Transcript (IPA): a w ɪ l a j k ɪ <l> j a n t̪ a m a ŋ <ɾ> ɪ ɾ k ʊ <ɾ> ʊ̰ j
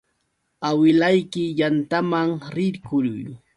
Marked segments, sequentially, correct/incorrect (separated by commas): incorrect, correct, correct